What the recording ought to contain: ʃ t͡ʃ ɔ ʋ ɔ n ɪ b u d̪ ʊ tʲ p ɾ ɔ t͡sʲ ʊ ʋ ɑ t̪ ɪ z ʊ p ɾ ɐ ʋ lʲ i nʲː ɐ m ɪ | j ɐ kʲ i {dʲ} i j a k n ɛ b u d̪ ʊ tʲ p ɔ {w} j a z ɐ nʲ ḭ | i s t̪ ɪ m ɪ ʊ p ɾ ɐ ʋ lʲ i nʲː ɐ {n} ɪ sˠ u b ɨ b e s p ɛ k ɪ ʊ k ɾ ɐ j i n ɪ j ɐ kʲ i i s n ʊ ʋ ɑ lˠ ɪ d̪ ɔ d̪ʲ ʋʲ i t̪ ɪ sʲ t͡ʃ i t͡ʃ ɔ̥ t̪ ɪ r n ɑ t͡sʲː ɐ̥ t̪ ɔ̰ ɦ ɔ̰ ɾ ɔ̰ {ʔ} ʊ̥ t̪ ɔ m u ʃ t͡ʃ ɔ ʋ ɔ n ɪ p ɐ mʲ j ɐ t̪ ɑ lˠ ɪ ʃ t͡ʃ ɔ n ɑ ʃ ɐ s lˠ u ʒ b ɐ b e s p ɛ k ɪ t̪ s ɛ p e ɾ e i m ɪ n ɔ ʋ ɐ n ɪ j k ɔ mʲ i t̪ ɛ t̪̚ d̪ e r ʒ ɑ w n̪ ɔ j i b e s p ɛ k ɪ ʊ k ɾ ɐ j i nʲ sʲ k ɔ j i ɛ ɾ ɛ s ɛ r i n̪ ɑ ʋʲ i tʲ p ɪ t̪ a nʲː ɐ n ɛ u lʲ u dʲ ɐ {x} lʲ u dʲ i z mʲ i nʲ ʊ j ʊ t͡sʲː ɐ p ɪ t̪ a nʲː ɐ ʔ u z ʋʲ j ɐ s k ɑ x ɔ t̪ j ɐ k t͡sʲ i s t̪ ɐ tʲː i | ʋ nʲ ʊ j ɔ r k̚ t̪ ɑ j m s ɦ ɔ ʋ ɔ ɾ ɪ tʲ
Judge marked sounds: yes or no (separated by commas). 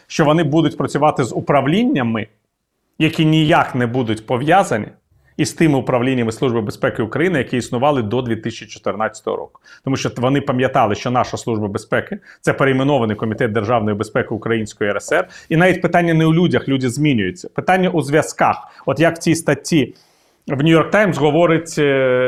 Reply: no, no, no, no, yes